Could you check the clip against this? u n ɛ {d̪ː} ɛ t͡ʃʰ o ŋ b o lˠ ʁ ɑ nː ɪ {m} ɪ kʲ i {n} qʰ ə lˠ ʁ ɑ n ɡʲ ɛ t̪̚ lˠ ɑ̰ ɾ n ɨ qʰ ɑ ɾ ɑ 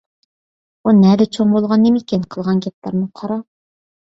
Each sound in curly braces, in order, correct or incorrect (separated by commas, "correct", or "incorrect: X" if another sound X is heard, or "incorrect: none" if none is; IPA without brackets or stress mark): incorrect: d̪, correct, correct